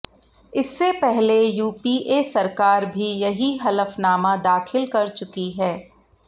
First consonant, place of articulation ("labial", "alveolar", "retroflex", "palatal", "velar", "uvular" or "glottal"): alveolar